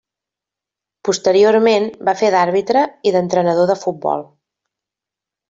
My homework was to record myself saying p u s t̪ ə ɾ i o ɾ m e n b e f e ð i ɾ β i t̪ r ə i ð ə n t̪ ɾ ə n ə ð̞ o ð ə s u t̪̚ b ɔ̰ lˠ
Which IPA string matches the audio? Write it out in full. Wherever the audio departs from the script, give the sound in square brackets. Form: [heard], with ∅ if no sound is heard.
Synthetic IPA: p u s t̪ ə ɾ i o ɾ m e n b [a] f e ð [a] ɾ β i t̪ [ɾ] ə i ð ə n t̪ ɾ ə n ə ð̞ o ð ə [f] u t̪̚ b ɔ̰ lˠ